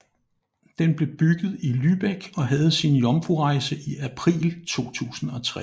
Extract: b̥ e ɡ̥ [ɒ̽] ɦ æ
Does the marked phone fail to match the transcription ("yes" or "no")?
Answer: no